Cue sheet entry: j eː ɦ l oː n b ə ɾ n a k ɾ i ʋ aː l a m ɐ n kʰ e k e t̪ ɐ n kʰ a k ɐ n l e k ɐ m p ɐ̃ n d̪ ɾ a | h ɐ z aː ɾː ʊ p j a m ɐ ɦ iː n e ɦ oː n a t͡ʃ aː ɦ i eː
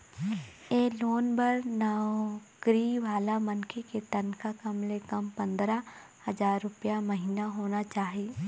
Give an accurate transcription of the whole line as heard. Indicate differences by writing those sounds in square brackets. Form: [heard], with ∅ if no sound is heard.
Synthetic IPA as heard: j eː [∅] l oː n b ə ɾ n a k ɾ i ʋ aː l a m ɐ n kʰ e k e t̪ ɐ n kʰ a k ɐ [m] l e k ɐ m p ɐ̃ n d̪ ɾ a | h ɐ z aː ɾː ʊ p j a m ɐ ɦ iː n [a] ɦ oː n a t͡ʃ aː ɦ i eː